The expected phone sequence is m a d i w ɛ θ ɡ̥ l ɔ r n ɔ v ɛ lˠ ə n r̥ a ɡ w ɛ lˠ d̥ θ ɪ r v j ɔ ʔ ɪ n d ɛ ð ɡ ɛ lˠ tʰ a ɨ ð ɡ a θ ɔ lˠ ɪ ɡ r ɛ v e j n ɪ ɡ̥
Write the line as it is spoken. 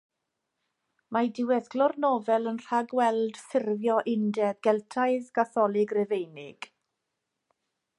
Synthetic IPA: m a d ɪ w ɛ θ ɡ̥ l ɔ r n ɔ v ɛ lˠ ə n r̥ a ɡ w ɛ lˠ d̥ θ ɪ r v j ɔ ʔ ɪ n d ɛ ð ɡ ɛ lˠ tʰ a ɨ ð ɡ a θ ɔ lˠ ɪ ɡ r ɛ v e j n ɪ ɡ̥